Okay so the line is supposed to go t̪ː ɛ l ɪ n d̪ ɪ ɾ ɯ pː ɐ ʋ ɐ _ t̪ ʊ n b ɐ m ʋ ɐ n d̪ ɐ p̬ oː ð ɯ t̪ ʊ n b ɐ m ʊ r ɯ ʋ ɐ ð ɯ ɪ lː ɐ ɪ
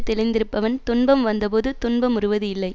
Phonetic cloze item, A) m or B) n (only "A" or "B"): B